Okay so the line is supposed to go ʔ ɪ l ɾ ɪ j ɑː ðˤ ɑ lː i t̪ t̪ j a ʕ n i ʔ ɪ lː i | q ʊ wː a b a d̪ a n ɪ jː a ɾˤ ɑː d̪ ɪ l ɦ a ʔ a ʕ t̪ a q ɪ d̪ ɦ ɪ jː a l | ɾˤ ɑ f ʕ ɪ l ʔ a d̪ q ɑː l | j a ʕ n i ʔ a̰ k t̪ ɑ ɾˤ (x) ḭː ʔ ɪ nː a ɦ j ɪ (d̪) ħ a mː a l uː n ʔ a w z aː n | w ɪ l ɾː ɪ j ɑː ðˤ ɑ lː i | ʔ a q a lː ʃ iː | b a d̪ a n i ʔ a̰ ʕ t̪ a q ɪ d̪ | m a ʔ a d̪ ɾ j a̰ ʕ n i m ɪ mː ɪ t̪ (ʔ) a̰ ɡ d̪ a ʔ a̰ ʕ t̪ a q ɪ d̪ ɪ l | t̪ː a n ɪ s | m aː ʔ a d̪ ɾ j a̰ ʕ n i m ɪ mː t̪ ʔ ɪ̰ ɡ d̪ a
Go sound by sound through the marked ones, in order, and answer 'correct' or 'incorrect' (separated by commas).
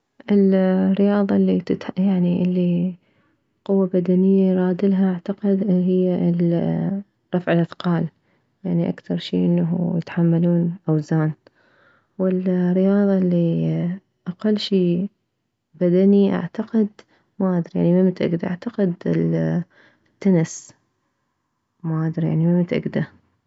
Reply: incorrect, incorrect, correct